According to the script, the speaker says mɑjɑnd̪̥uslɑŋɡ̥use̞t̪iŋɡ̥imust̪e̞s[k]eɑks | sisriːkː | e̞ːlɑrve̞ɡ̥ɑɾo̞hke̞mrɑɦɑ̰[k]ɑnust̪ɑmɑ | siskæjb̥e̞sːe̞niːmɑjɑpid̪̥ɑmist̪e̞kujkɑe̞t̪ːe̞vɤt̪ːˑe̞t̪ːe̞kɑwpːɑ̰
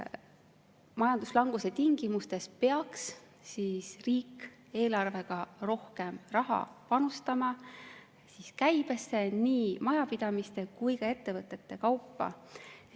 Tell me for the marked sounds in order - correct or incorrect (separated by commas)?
incorrect, incorrect